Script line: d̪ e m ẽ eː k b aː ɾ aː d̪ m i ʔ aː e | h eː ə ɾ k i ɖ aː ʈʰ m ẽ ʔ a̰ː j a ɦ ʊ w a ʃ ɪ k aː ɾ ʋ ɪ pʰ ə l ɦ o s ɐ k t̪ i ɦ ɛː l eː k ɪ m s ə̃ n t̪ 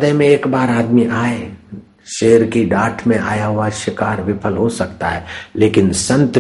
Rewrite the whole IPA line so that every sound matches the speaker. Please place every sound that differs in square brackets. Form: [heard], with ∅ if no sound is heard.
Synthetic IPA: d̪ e m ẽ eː k b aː ɾ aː d̪ m i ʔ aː e | [ʃ] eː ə ɾ k i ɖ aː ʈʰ m ẽ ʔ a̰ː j a ɦ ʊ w a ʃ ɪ k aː ɾ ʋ ɪ pʰ ə l ɦ o s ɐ k t̪ [a] ɦ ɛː l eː k ɪ [n] s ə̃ n t̪